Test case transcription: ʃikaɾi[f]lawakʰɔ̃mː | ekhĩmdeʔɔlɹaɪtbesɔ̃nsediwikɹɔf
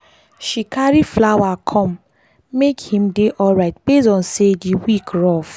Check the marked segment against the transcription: correct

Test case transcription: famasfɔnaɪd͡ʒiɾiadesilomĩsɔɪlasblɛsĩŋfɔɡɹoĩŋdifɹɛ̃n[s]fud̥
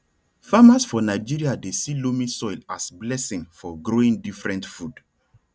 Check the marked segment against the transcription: incorrect: t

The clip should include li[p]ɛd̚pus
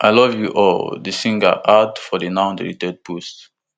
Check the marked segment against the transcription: incorrect: t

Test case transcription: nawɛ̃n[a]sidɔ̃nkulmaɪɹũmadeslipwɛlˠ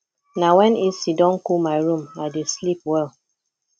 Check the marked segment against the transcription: incorrect: i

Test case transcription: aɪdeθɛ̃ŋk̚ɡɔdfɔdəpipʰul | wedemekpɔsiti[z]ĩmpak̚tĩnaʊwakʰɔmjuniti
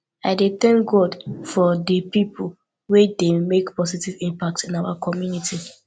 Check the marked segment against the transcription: incorrect: v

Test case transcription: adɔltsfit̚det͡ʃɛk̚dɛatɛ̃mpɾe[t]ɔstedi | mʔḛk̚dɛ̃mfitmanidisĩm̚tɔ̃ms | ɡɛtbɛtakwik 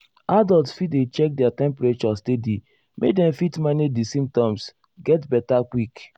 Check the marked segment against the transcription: incorrect: t͡ʃ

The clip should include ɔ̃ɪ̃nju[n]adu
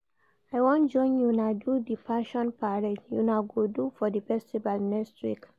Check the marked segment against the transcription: correct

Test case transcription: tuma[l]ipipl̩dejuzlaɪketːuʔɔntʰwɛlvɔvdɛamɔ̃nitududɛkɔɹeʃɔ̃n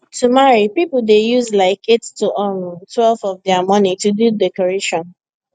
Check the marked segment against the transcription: incorrect: ɹ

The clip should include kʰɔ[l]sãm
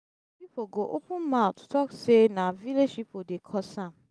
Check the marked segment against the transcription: incorrect: none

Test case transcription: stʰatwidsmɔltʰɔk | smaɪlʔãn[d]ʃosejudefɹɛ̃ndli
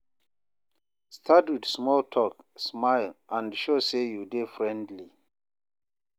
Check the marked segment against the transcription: correct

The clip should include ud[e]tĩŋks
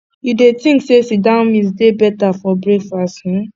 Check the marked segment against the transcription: correct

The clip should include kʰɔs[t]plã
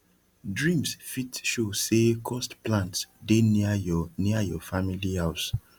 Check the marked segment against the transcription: correct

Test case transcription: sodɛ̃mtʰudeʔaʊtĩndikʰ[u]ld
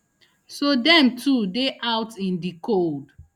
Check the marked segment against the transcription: incorrect: o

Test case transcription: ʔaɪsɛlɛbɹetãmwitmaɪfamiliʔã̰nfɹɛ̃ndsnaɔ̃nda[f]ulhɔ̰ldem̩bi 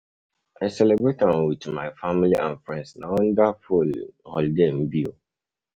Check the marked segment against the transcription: correct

